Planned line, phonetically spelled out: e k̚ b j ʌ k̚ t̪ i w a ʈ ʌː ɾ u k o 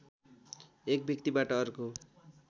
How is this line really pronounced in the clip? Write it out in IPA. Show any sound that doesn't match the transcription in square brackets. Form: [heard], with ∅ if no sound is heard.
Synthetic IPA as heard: e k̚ b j ʌ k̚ t̪ i [b] a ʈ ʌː ɾ u k o